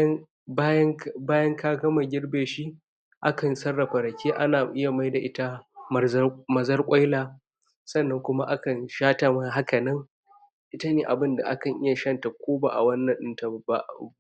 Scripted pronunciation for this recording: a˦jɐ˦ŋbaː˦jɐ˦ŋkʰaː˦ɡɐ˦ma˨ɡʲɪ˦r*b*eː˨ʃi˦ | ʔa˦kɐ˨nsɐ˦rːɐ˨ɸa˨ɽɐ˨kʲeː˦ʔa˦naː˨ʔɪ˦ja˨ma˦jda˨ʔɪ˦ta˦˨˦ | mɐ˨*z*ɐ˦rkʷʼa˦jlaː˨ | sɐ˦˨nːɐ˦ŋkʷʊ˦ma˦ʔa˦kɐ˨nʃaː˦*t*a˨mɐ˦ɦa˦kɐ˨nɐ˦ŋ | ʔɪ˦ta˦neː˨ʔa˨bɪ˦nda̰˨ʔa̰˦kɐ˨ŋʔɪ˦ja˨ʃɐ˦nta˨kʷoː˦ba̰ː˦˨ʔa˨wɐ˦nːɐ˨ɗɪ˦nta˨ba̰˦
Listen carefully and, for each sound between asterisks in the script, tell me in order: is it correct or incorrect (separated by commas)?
correct, correct, correct